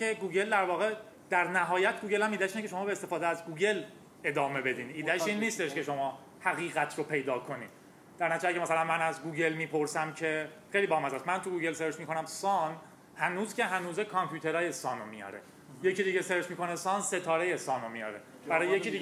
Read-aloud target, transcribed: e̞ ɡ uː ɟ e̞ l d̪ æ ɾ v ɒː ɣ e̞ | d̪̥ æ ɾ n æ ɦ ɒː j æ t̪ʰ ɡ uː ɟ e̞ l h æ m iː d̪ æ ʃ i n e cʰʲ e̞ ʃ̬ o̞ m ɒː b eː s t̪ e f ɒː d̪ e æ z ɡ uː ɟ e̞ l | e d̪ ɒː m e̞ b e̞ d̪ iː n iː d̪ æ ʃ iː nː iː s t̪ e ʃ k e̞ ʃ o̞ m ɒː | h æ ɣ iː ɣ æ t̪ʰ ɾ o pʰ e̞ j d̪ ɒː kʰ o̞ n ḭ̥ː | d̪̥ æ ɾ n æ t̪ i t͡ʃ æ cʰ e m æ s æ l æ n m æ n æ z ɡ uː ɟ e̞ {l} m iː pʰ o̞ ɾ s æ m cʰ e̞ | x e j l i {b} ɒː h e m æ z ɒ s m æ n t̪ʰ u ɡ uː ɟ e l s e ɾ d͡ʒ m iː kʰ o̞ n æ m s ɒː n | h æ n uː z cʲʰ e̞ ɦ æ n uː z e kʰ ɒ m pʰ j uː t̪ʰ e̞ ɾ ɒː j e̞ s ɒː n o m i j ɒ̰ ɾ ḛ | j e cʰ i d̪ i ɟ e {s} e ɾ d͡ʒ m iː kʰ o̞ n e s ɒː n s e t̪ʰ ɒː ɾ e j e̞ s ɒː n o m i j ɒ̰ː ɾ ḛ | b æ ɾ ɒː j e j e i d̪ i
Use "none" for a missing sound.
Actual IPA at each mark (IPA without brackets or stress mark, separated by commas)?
l, b, s